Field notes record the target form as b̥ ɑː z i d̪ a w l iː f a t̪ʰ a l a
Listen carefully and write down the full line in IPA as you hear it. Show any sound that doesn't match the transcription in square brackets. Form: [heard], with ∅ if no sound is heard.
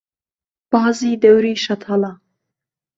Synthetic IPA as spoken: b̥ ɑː z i d̪ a w [ɾ] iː [ʃ] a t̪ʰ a l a